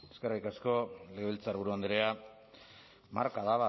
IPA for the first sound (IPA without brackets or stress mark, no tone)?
e